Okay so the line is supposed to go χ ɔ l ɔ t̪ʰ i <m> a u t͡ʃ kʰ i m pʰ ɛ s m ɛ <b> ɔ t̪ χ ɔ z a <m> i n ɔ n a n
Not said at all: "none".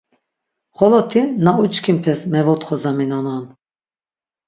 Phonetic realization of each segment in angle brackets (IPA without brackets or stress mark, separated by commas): n, v, m